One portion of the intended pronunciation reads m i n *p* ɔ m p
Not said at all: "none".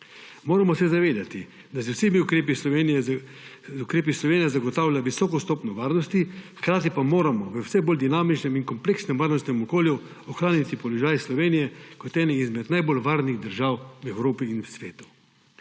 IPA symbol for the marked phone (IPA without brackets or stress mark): k